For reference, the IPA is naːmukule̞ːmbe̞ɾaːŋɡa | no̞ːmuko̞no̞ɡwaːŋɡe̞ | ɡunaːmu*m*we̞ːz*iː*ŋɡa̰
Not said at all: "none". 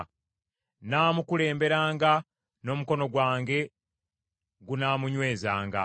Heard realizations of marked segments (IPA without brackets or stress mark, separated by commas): ɲ, aː